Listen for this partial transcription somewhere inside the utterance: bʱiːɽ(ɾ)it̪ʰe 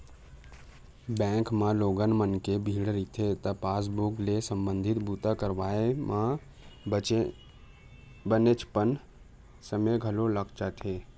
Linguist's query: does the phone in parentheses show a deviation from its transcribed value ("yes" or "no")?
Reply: no